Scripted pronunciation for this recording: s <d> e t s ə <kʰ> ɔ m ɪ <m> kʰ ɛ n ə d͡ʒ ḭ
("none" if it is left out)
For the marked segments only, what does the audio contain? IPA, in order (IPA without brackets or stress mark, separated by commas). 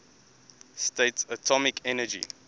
t, tʰ, none